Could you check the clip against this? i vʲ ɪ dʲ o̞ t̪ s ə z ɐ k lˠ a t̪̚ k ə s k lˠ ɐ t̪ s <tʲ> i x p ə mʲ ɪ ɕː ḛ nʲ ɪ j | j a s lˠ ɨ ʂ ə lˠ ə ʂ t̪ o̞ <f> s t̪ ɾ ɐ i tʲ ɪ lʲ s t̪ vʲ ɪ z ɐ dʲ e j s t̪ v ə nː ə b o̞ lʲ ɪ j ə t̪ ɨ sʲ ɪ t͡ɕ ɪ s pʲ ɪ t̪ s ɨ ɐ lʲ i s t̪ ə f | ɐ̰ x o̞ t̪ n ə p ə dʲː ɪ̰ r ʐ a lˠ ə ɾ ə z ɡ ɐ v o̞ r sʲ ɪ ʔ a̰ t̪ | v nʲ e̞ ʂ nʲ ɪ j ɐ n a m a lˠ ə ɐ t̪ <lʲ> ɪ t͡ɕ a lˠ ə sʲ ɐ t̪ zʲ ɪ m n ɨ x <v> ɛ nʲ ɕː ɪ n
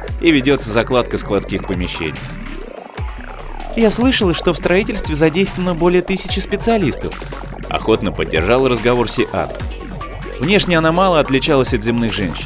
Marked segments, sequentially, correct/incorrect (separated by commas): incorrect, correct, correct, incorrect